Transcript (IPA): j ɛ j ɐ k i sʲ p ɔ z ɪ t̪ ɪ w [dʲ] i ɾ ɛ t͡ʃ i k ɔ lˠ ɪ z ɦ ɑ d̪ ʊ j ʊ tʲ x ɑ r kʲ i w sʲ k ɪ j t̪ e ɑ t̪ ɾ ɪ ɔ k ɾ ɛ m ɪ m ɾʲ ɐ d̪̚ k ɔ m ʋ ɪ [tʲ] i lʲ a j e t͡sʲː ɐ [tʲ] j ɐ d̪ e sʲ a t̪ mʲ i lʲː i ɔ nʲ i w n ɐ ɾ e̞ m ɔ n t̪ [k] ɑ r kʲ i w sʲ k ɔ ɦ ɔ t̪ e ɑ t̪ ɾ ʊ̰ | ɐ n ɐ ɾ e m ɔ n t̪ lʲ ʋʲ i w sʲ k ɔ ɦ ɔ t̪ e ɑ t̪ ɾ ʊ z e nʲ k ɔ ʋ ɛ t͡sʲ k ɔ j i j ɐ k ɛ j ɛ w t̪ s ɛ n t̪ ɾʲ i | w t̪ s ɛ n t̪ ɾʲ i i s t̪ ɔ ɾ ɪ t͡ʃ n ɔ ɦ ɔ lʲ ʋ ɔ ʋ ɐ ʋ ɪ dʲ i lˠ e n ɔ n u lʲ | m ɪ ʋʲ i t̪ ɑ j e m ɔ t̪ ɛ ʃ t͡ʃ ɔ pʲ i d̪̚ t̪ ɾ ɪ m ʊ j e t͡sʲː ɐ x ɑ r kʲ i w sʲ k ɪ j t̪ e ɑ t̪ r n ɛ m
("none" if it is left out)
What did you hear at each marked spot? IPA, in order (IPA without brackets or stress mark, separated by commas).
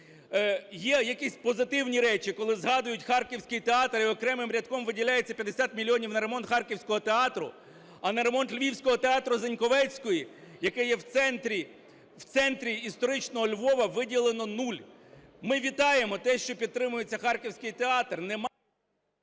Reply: nʲ, dʲ, pʲ, x